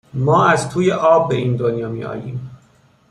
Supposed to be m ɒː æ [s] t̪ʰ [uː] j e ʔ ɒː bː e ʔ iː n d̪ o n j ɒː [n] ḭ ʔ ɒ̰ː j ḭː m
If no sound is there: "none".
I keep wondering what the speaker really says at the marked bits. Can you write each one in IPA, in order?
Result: z, uː, m

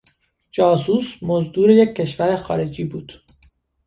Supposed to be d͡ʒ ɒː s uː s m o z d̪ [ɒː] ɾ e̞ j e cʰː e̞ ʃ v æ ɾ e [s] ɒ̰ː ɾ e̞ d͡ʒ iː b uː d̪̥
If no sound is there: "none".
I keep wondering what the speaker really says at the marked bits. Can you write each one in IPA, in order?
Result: uː, x

